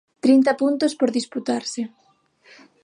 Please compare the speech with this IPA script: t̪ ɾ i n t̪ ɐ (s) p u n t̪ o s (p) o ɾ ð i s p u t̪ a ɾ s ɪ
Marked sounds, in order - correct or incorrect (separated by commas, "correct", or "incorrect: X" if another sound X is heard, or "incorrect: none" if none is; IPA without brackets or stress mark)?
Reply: incorrect: none, correct